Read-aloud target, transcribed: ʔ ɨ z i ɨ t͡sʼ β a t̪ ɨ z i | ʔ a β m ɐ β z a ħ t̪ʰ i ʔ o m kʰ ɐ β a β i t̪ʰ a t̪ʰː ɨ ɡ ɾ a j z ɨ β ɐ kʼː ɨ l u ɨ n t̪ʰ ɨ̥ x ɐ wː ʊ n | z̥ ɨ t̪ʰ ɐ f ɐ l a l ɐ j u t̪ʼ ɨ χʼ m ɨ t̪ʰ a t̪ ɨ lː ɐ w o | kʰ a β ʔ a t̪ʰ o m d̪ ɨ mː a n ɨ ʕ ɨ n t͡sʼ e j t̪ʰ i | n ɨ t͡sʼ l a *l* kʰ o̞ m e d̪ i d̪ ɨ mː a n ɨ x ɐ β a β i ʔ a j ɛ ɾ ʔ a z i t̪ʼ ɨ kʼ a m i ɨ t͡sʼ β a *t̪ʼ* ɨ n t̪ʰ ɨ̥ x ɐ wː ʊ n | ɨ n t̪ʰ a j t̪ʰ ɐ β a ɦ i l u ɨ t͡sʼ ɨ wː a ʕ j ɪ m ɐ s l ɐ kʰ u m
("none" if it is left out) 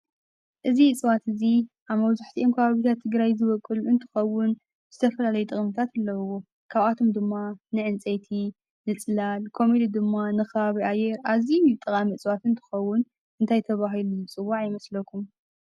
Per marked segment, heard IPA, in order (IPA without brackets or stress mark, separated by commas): l, t̪